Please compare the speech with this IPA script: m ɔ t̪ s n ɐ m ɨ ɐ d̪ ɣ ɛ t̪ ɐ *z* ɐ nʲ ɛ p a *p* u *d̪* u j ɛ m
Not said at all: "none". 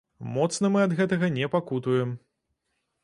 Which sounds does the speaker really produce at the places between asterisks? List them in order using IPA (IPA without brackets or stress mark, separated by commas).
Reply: ɣ, k, t̪